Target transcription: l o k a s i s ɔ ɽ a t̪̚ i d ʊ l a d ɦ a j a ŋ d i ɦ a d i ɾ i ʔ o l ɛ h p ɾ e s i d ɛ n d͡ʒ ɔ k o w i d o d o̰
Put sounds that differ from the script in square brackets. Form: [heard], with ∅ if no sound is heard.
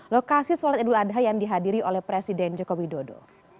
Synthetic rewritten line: l o k a s i s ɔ [l] a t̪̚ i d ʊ l a d ɦ a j a ŋ d i ɦ a d i ɾ i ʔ o l ɛ h p ɾ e s i d ɛ n d͡ʒ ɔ k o w i d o d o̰